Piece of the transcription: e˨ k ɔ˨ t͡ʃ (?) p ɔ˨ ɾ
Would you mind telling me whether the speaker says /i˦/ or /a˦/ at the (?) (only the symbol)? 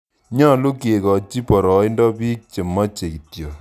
i˦